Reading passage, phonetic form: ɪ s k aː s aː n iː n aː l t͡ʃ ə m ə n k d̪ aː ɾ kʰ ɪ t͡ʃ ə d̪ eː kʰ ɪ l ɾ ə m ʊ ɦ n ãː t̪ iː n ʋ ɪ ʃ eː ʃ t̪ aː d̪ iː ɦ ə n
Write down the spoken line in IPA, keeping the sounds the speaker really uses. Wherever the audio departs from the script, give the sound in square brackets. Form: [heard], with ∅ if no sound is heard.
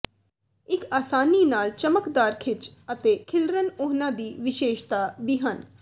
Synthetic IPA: ɪ [∅] k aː s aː n iː n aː l t͡ʃ ə m ə [∅] k d̪ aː ɾ kʰ ɪ t͡ʃ ə [t̪] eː kʰ ɪ l ɾ ə [n] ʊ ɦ n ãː [d̪] iː [∅] ʋ ɪ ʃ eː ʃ t̪ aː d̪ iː ɦ ə n